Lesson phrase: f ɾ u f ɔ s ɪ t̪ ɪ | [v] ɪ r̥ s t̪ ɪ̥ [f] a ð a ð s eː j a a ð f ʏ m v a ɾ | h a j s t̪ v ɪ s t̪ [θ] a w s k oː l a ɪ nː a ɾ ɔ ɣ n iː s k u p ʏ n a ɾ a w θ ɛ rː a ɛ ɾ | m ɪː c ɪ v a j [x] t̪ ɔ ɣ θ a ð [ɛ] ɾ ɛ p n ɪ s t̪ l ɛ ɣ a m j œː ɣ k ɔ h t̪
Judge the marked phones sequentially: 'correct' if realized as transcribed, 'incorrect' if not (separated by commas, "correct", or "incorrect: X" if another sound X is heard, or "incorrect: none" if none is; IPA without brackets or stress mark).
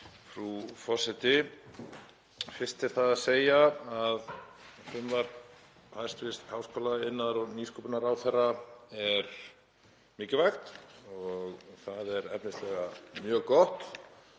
incorrect: f, incorrect: θ, incorrect: h, correct, correct